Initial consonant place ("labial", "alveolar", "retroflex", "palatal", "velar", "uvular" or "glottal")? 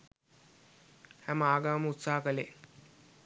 glottal